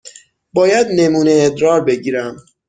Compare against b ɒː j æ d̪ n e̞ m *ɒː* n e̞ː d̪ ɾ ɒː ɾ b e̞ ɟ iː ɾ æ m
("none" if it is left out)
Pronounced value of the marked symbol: uː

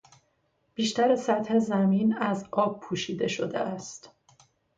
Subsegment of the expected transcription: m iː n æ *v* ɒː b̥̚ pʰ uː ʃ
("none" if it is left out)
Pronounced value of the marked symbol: z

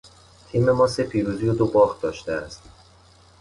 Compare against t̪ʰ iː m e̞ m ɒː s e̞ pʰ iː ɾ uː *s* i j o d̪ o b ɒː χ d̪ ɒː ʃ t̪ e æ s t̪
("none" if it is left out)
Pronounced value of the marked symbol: z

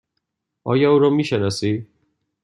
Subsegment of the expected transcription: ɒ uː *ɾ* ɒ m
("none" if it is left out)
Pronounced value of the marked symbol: ɾ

